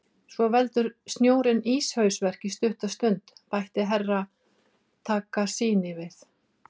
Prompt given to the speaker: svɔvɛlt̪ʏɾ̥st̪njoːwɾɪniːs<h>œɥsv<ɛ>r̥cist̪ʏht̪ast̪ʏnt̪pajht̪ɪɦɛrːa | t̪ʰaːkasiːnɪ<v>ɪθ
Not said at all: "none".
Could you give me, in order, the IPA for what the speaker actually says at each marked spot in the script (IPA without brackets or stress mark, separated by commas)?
h, ɛ, v